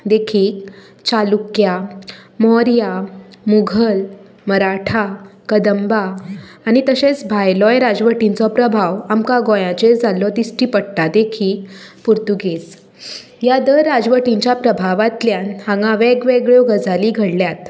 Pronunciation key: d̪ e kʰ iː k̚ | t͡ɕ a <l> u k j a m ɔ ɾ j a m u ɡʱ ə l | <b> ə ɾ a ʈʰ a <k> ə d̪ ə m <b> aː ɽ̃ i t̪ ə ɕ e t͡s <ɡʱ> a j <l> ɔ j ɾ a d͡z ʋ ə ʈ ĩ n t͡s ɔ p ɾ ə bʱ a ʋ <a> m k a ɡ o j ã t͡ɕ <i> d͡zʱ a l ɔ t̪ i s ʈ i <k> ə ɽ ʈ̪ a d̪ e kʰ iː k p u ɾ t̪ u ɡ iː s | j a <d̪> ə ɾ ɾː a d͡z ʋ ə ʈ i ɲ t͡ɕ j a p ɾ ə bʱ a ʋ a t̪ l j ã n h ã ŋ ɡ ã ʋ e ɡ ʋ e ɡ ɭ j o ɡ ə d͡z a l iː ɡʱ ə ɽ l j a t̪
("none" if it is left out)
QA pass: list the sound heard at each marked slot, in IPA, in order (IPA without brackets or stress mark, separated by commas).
l, m, k, b, bʱ, l, a, e, p, d̪